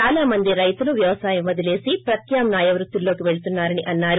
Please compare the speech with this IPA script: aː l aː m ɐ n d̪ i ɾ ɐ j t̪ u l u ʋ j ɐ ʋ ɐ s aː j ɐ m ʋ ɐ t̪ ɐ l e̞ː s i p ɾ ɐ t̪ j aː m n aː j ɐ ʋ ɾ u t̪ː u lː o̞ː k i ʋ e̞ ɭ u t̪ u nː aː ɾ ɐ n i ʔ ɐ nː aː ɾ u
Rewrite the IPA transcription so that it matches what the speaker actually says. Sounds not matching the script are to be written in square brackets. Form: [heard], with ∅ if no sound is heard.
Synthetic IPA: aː l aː m ɐ n d̪ i ɾ ɐ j t̪ u l u ʋ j ɐ ʋ ɐ s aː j ɐ m ʋ ɐ [d̪] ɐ l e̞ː s i p ɾ ɐ t̪ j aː m n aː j ɐ ʋ ɾ u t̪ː u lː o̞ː k i ʋ e̞ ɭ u t̪ u nː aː ɾ ɐ n i ʔ ɐ nː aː ɾ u

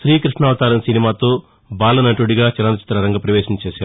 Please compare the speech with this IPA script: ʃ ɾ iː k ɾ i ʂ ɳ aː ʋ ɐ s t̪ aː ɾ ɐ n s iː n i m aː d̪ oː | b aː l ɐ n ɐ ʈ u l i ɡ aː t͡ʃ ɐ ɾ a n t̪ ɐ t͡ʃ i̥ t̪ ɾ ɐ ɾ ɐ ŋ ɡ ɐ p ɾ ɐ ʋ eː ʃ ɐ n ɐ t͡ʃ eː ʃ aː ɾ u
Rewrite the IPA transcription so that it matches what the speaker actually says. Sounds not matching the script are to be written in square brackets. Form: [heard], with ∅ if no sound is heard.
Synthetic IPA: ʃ ɾ iː k ɾ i ʂ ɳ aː ʋ ɐ [∅] t̪ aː ɾ ɐ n s [i] n i m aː [t̪] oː | b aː l ɐ n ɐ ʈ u [ɽ] i ɡ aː t͡ʃ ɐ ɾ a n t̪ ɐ t͡ʃ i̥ t̪ ɾ ɐ ɾ ɐ ŋ ɡ ɐ p ɾ ɐ ʋ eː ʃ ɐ n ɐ t͡ʃ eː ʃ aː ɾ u

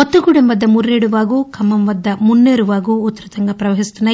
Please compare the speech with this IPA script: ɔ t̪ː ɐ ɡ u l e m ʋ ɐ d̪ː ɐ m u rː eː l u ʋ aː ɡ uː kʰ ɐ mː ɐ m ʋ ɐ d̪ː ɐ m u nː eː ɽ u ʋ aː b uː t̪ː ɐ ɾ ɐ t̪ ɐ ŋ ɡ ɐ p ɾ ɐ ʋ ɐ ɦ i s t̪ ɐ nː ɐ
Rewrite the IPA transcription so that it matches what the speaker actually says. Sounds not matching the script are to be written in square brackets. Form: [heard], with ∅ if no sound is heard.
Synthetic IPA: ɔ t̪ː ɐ ɡ u [ɽ] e m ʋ ɐ d̪ː ɐ m u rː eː [ɽ] u ʋ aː ɡ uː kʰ ɐ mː ɐ m ʋ ɐ d̪ː ɐ m u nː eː [ɾ] u ʋ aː [ɡ] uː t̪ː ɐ ɾ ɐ t̪ ɐ ŋ ɡ ɐ p ɾ ɐ ʋ ɐ ɦ i s t̪ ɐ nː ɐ

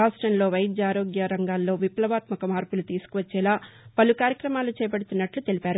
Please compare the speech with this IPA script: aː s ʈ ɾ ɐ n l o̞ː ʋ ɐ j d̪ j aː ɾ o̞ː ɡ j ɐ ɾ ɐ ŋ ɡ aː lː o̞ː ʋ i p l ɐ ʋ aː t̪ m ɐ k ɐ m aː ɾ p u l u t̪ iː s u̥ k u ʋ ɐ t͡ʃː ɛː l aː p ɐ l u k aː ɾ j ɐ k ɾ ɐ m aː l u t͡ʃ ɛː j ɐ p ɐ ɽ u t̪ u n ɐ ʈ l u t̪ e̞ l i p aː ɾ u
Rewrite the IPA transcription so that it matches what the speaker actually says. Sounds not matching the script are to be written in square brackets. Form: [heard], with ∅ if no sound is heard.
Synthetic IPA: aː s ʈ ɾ ɐ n l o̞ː ʋ ɐ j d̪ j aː ɾ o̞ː ɡ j ɐ ɾ ɐ ŋ ɡ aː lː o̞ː ʋ i p l ɐ ʋ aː t̪ m ɐ k ɐ m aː ɾ p u l u t̪ iː s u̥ k u ʋ ɐ t͡ʃː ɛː l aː p ɐ l u k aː ɾ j ɐ k ɾ ɐ m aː l u t͡ʃ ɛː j ɐ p ɐ ɽ u t̪ u [nː] ɐ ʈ l u t̪ e̞ l i p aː ɾ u

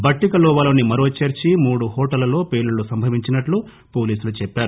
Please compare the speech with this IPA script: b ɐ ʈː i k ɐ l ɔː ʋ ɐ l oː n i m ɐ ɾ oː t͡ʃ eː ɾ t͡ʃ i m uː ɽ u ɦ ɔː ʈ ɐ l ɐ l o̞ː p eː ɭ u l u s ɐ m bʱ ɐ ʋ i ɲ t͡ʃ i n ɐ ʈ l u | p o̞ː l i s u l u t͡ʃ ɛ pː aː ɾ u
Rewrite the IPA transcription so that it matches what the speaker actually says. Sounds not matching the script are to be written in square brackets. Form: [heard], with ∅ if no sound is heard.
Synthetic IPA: b ɐ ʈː i k ɐ l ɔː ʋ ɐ l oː n i m ɐ ɾ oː t͡ʃ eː ɾ t͡ʃ i m uː ɽ u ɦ ɔː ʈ ɐ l ɐ l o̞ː p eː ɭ u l u s ɐ m bʱ ɐ ʋ i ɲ t͡ʃ i n ɐ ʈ l u | p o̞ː l [iː] s u l u t͡ʃ ɛ pː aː ɾ u

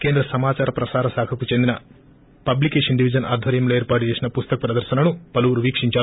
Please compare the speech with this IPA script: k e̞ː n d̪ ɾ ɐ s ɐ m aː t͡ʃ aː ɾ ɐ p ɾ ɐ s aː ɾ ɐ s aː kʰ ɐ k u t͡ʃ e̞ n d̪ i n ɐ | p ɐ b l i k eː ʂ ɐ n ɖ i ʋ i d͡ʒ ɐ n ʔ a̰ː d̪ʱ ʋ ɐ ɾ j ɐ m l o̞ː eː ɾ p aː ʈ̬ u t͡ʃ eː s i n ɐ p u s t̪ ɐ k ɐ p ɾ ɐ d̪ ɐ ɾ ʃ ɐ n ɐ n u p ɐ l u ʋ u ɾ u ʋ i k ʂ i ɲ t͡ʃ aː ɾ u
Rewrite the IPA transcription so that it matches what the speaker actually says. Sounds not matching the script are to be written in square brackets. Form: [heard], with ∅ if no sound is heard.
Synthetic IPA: k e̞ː n d̪ ɾ ɐ s ɐ m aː t͡ʃ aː ɾ ɐ p ɾ ɐ s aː ɾ ɐ s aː kʰ ɐ k u t͡ʃ e̞ n d̪ i n ɐ | p ɐ b l i k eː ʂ ɐ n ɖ i ʋ i d͡ʒ ɐ n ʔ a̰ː d̪ʱ ʋ ɐ ɾ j ɐ m l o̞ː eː ɾ p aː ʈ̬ u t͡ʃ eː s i n ɐ p u s t̪ ɐ k ɐ p ɾ ɐ d̪ ɐ ɾ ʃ ɐ n ɐ n u p ɐ l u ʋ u ɾ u ʋ [iː] k ʂ i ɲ t͡ʃ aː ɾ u

